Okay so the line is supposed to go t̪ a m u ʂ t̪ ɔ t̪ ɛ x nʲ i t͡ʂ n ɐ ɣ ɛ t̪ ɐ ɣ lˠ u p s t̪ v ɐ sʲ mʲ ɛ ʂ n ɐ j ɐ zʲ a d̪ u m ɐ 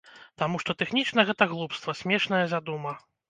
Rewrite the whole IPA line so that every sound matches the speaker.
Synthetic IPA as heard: t̪ a m u ʂ t̪ ɔ t̪ ɛ x nʲ i t͡ʂ n ɐ ɣ ɛ t̪ ɐ ɣ lˠ u p s t̪ v ɐ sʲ mʲ ɛ ʂ n ɐ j ɐ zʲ a d̪ u m ɐ